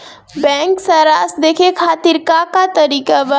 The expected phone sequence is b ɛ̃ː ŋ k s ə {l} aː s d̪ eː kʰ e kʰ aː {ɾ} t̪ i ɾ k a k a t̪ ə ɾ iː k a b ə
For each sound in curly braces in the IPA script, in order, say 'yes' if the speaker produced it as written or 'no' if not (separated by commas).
no, no